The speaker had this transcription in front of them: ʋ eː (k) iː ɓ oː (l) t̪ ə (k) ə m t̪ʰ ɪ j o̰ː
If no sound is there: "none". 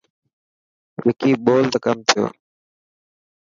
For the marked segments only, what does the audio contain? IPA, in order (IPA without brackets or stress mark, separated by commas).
k, l, k